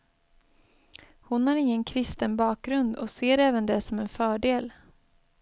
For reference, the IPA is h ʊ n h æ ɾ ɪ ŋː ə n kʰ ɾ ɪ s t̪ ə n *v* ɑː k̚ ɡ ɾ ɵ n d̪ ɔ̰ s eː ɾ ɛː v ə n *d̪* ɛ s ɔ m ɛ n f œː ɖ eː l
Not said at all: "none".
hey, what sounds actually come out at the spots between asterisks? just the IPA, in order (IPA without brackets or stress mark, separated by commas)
b, d̪